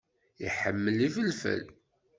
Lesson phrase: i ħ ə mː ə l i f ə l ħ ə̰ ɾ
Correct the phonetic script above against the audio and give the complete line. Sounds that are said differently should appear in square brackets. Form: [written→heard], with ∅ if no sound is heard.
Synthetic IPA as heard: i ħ ə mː ə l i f ə l [ħ→f] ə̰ [ɾ→l]